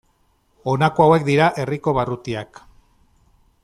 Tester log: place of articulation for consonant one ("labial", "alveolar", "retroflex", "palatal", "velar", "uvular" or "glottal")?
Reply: alveolar